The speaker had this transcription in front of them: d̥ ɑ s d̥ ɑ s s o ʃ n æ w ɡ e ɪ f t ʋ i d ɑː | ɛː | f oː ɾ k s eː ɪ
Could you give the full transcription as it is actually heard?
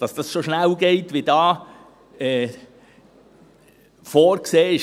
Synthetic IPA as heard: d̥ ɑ s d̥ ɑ s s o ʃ n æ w ɡ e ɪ t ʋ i d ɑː | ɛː | f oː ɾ k s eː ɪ